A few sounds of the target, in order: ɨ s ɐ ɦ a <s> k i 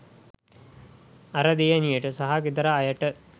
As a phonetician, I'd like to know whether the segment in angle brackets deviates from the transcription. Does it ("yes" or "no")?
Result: yes